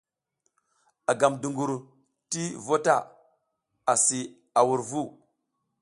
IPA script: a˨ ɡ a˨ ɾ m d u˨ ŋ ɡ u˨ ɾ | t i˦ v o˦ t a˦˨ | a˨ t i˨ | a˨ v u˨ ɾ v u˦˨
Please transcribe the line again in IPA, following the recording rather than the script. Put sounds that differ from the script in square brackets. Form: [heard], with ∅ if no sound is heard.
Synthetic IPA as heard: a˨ ɡ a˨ [∅] m d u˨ ŋ ɡ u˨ ɾ | t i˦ v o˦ t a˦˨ | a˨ [s] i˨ | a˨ [w] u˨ ɾ v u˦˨